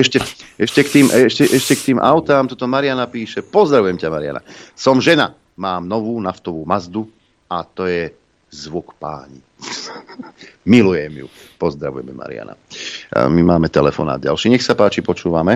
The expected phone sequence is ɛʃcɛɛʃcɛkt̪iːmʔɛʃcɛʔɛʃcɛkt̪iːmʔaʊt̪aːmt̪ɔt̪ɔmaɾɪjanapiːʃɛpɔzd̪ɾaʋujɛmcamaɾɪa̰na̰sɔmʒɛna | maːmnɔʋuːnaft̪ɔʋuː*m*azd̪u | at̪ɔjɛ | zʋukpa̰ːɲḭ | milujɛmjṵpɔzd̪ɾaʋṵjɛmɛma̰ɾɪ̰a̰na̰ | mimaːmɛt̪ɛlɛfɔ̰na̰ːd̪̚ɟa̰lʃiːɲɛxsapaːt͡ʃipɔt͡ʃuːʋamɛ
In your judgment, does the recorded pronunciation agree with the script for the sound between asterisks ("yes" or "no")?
yes